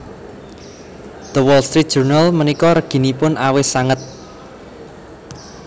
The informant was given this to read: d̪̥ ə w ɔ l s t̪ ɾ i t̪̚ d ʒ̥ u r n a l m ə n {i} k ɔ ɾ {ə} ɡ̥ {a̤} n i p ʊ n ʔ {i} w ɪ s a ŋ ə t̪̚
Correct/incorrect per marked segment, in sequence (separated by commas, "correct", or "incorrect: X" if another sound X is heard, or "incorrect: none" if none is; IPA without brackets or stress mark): correct, correct, incorrect: i̤, incorrect: a